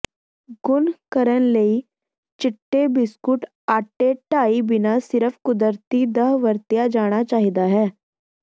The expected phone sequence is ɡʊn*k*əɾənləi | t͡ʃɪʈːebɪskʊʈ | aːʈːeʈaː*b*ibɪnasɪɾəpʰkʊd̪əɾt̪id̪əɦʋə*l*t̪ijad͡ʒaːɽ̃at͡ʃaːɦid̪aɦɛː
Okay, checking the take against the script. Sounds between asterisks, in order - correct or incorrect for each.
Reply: correct, incorrect: none, incorrect: ɾ

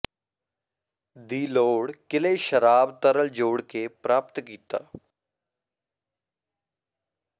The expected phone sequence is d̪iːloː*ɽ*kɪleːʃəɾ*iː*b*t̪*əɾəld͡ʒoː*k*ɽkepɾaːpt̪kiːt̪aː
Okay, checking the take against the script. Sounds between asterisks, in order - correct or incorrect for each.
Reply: correct, incorrect: aː, correct, incorrect: none

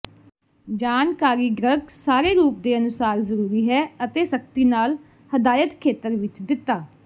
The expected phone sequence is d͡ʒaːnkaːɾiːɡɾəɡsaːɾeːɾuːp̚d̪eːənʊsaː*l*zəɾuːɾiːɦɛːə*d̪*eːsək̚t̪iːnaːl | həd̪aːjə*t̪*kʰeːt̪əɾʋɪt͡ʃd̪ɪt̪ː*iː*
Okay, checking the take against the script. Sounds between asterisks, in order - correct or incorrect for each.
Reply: incorrect: ɾ, incorrect: t̪, correct, incorrect: aː

